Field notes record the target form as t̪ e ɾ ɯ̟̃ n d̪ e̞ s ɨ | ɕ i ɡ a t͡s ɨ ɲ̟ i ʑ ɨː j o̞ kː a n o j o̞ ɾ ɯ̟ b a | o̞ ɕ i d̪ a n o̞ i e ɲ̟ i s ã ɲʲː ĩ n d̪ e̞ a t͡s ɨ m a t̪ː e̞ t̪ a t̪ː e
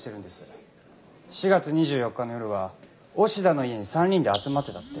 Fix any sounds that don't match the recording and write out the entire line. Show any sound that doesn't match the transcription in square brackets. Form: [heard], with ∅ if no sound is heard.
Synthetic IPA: t̪ e ɾ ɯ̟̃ n d̪ e̞ s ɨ | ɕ i ɡ a t͡s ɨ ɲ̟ i ʑ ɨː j o̞ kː a n o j o̞ ɾ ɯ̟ [β] a | o̞ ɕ i d̪ a n o̞ i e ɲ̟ i s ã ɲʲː ĩ n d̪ e̞ a t͡s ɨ m a t̪ː e̞ t̪ a t̪ː e